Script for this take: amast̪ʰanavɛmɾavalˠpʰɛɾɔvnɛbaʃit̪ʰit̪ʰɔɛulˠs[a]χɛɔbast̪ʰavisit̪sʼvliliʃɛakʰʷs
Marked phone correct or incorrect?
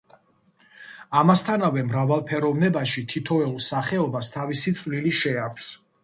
correct